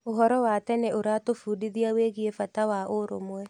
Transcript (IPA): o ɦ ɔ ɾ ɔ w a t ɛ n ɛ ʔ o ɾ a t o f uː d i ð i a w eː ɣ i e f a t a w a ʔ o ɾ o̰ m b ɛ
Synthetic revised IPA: o ɦ ɔ ɾ ɔ w a t ɛ n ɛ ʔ o ɾ a t o f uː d i ð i a w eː ɣ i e f a t a w a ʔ o ɾ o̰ m w ɛ